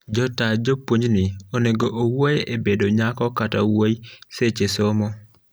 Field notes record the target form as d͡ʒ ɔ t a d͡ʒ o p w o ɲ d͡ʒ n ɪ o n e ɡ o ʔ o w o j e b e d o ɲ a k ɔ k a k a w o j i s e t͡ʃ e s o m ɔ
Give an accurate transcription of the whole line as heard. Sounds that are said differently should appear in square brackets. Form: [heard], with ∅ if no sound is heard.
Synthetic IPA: d͡ʒ ɔ t a d͡ʒ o p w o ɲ d͡ʒ n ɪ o n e ɡ o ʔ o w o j e b e d o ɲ a k ɔ k a [t] a w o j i s e t͡ʃ e s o m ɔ